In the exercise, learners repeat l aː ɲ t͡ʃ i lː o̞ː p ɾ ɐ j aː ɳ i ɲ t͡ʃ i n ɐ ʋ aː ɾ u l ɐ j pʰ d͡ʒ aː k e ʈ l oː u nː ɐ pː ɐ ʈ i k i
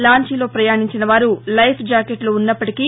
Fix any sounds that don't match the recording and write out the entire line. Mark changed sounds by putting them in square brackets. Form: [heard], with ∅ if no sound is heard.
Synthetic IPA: l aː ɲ t͡ʃ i [l] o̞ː p ɾ ɐ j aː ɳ i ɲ t͡ʃ i n ɐ ʋ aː ɾ u l ɐ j pʰ d͡ʒ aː k e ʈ l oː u nː ɐ pː ɐ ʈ i k i